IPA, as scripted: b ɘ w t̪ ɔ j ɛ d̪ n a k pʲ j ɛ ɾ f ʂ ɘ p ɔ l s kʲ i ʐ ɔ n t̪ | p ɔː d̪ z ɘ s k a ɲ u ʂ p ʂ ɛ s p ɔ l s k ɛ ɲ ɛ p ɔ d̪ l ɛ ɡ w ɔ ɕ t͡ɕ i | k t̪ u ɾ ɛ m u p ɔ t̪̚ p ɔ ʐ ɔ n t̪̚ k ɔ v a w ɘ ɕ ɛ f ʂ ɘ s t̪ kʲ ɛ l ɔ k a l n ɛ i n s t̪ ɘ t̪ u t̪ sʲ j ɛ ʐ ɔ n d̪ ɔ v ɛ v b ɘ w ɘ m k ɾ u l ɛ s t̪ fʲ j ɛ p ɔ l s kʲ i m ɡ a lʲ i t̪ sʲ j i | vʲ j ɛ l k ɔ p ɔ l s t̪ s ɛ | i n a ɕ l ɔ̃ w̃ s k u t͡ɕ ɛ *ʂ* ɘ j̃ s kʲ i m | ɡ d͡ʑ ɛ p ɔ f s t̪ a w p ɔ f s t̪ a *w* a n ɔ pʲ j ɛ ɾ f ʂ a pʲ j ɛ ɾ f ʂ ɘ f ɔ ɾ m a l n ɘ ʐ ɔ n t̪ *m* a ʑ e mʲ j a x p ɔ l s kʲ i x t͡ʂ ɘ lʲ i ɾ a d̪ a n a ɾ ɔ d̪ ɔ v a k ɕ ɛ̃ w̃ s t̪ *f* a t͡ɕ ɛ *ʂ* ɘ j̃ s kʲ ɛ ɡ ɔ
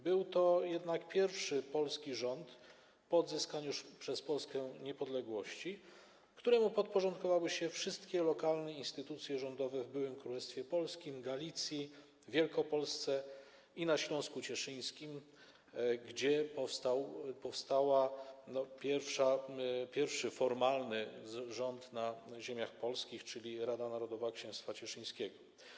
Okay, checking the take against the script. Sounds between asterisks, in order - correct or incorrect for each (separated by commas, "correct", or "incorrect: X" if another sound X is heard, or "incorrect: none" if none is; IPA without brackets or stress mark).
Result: correct, correct, incorrect: n, correct, correct